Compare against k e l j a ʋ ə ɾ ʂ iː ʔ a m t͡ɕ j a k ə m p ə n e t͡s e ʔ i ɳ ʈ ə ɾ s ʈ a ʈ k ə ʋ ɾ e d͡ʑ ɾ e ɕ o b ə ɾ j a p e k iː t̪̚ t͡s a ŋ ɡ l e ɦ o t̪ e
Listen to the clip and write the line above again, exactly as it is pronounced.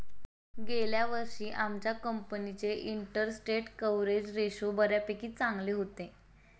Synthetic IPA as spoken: ɡ e l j a ʋ ə ɾ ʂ iː ʔ a m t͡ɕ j a k ə m p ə n i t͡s e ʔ i ɳ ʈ ə ɾ s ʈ e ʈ k ə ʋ ɾ e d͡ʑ ɾ e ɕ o b ə ɾ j a p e k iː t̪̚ t͡s a ŋ ɡ l e ɦ o t̪ e